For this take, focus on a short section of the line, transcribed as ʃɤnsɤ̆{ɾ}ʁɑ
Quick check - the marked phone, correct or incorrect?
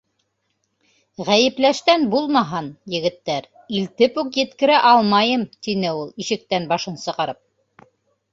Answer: incorrect